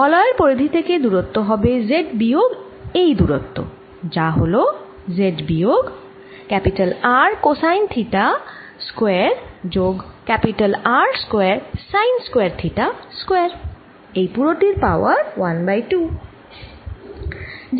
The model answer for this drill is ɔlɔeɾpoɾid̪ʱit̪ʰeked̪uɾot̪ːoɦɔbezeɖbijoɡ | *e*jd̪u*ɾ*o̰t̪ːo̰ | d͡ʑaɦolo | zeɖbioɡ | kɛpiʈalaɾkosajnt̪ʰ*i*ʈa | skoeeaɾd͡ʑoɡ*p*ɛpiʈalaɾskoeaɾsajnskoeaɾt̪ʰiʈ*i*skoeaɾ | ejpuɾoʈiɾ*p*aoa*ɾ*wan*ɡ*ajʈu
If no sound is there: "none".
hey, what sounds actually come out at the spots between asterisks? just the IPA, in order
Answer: e, ɾ, i, k, a, p, ɾ, b

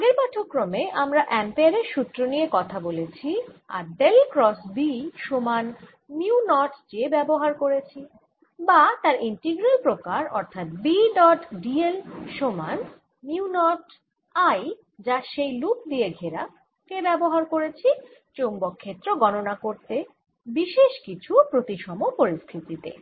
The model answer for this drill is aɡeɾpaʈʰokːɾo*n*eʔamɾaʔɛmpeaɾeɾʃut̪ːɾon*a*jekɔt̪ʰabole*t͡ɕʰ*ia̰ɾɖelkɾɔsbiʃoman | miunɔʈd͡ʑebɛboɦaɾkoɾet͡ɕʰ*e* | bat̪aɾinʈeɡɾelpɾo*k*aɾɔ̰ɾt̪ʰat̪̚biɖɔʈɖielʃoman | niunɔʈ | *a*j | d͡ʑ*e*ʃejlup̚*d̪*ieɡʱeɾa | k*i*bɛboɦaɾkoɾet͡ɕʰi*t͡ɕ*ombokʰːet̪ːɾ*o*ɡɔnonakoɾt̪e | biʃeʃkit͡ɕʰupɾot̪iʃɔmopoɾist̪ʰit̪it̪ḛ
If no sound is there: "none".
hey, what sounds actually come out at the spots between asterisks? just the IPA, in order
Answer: m, i, t͡ɕʰ, i, k, a, a, d̪, e, t͡ɕ, o

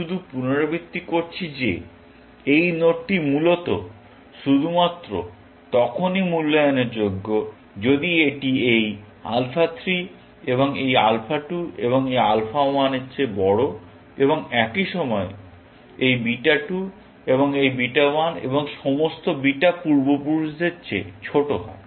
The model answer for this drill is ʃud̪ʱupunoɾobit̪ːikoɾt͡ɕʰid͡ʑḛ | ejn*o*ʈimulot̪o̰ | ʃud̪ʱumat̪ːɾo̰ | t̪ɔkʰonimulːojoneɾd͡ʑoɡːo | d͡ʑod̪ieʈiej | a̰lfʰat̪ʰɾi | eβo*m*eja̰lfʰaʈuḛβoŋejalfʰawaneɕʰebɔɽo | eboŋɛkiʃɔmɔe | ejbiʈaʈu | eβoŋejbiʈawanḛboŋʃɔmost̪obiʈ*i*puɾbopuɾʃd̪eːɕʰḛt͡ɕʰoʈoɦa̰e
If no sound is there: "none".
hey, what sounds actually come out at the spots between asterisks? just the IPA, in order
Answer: o, ŋ, a

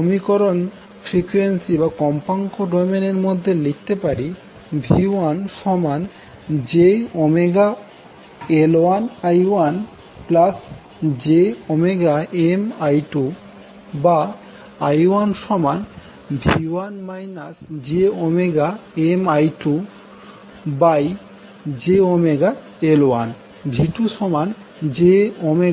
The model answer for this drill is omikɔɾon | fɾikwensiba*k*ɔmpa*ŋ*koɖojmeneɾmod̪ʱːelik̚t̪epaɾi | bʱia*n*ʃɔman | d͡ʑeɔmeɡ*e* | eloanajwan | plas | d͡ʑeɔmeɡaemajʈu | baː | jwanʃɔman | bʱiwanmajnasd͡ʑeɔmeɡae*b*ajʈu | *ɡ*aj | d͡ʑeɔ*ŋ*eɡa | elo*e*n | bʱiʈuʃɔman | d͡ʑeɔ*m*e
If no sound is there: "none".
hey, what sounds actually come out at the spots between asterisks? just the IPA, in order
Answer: k, ŋ, n, a, m, b, m, a, m

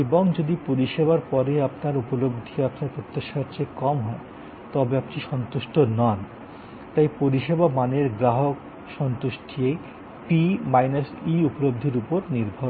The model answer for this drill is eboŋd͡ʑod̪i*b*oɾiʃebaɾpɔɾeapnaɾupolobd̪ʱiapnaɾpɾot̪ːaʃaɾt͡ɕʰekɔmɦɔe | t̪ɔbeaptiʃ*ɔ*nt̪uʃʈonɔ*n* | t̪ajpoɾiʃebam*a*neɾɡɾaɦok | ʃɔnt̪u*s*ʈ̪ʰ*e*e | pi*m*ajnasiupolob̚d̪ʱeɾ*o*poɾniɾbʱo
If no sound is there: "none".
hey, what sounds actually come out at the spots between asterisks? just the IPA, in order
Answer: p, ɔ, n, a, ʃ, i, m, u

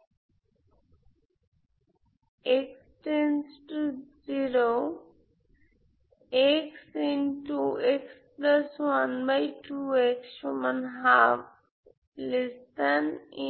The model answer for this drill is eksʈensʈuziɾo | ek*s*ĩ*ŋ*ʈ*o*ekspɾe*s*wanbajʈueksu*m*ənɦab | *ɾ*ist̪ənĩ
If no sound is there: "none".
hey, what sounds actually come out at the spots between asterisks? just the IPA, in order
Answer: s, n, u, s, m, l

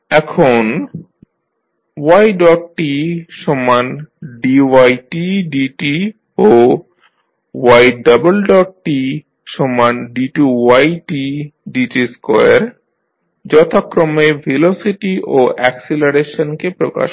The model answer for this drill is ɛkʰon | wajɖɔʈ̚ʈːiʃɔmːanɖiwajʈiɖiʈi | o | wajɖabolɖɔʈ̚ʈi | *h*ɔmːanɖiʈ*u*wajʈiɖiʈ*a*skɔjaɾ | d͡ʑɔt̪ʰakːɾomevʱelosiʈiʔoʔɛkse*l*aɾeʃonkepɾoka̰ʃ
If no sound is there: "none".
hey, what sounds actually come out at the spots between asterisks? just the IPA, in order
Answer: ʃ, u, i, l

